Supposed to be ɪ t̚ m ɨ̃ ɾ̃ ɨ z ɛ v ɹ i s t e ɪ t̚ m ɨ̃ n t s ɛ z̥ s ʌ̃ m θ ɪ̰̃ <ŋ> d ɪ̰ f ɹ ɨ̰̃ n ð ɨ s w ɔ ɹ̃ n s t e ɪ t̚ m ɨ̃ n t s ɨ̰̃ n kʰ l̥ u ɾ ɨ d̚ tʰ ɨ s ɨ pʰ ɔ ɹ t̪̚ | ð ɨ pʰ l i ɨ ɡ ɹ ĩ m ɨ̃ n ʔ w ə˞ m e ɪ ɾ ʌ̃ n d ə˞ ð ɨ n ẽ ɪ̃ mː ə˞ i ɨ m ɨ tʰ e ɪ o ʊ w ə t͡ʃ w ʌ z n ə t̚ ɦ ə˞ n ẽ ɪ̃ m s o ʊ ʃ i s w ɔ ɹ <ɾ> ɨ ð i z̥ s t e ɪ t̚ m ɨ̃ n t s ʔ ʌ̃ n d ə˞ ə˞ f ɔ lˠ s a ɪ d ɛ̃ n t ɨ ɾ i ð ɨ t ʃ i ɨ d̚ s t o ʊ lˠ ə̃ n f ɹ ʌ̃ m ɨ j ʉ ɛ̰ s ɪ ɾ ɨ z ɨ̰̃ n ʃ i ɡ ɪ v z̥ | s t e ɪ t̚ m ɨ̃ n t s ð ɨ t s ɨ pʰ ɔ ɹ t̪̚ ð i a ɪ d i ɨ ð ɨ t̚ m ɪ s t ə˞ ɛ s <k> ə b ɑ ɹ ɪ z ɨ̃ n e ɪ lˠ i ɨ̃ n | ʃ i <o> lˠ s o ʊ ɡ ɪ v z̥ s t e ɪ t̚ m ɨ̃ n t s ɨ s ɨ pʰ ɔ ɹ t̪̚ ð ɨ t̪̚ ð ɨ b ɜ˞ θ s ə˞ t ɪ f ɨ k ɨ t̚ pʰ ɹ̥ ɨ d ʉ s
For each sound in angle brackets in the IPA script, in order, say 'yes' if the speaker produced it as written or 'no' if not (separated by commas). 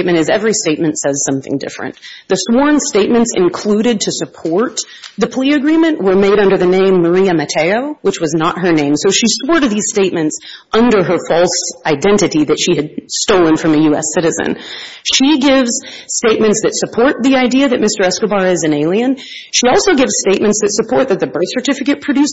yes, yes, yes, no